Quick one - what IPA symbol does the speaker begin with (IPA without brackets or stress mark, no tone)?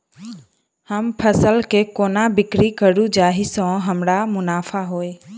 h